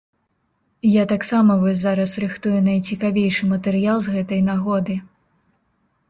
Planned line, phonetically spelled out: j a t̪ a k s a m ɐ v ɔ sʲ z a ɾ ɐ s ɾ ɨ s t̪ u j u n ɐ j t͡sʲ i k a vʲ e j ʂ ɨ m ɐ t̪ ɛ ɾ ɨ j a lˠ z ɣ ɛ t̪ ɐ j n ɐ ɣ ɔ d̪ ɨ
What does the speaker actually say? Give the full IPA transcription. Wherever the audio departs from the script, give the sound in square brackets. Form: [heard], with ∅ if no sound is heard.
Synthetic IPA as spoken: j a t̪ a k s a m ɐ v ɔ sʲ z a ɾ ɐ s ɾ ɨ [x] t̪ u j u n ɐ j t͡sʲ i k a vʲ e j ʂ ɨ m ɐ t̪ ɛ ɾ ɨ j a lˠ z ɣ ɛ t̪ ɐ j n [a] ɣ ɔ d̪ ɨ